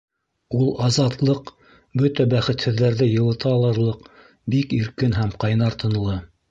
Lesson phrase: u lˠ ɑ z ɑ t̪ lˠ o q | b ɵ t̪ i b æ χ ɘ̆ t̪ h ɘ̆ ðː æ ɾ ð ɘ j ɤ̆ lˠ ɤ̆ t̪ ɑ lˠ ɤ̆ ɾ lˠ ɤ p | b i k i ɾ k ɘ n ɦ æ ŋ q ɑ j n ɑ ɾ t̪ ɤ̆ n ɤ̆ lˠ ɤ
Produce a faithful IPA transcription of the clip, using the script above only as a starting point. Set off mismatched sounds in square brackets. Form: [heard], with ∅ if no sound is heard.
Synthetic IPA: u lˠ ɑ z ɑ t̪ lˠ [ɤ] q | b ɵ t̪ [æ] b æ χ ɘ̆ t̪ h ɘ̆ ðː æ ɾ ð ɘ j ɤ̆ lˠ ɤ̆ t̪ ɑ lˠ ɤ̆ ɾ lˠ ɤ [q] | b i k i ɾ k ɘ n ɦ æ [m] q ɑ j n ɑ ɾ t̪ ɤ̆ n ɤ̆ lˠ ɤ